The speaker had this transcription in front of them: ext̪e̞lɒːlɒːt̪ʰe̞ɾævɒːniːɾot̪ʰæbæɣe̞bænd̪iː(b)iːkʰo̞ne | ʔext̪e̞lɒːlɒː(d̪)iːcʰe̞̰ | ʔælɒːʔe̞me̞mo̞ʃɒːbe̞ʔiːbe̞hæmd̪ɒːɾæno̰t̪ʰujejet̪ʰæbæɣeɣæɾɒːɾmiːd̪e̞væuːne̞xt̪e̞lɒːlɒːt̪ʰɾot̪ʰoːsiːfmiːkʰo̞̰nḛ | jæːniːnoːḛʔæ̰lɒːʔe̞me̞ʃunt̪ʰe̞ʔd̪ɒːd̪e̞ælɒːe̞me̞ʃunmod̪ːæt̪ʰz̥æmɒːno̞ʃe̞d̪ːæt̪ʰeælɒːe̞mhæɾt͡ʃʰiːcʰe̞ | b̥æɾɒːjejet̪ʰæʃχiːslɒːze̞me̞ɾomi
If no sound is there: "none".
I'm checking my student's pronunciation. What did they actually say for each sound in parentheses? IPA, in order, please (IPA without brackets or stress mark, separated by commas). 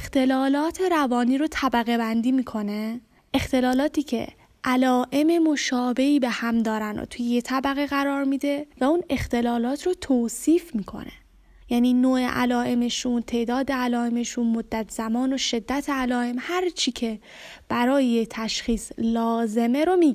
m, t̪